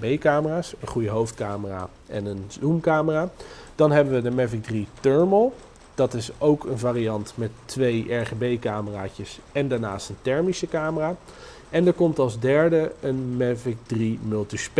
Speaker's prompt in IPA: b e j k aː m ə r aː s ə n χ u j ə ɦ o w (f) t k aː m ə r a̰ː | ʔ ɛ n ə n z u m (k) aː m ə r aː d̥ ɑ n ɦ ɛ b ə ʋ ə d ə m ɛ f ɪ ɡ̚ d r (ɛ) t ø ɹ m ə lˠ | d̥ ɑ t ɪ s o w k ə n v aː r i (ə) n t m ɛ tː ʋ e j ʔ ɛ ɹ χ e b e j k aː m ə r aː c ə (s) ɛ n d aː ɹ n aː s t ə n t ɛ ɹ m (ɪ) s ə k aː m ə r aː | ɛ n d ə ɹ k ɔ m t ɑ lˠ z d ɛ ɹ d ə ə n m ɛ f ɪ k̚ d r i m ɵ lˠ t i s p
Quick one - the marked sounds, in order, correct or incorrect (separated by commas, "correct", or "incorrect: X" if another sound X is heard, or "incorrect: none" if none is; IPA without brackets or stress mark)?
correct, correct, incorrect: i, incorrect: ɑ, correct, incorrect: i